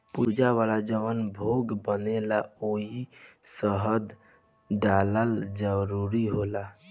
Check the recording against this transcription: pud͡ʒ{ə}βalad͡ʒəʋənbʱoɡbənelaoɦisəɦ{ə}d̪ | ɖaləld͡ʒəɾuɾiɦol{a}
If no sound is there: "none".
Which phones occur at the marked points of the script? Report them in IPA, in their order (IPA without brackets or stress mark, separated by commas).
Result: a, ə, a